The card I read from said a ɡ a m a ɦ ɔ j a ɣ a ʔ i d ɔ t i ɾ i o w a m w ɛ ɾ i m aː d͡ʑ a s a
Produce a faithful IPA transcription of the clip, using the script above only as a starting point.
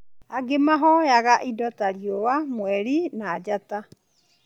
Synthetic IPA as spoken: a ɡ e m a ɦ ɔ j a ɣ a ʔ i d ɔ t a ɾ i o w a m w ɛ ɾ i n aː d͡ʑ a t a